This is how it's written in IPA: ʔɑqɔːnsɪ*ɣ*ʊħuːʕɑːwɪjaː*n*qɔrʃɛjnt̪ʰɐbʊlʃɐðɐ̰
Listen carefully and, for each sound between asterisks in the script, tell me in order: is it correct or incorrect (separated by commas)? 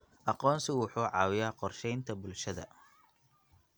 incorrect, incorrect